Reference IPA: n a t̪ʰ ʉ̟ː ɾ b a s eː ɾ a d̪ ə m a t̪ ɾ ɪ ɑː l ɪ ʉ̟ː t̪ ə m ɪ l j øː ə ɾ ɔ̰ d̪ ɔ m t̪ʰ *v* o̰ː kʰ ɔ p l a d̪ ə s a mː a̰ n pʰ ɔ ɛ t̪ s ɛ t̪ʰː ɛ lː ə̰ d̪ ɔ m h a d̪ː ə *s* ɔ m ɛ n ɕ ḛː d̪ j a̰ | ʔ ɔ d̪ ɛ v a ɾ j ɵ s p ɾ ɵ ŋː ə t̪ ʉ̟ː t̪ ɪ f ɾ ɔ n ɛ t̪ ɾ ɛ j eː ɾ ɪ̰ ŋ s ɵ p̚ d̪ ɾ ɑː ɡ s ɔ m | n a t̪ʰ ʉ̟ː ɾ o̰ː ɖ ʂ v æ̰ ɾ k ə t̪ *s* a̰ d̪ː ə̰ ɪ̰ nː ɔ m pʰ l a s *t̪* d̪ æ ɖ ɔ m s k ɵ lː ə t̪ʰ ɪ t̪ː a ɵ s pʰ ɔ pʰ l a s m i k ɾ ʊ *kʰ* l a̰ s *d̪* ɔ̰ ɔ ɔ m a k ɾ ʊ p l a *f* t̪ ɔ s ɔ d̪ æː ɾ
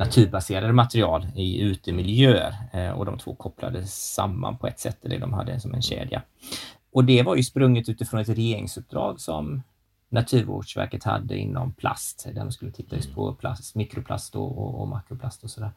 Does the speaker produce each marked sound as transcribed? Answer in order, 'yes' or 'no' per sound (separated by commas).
yes, yes, no, yes, no, no, no